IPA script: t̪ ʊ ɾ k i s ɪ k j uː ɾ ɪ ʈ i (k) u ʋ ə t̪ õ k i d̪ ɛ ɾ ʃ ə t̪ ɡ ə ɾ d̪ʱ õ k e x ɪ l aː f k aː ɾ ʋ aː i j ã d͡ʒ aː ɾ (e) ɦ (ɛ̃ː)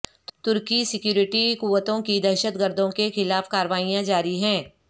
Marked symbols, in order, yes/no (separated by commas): yes, no, yes